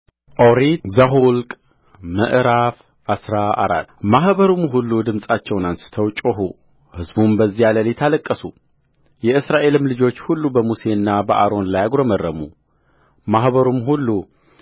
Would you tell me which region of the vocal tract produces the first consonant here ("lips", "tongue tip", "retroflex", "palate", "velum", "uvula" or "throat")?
throat